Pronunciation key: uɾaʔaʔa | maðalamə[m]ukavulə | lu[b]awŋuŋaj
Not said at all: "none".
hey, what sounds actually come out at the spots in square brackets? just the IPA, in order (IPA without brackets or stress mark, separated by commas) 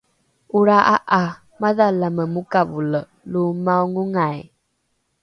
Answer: m, m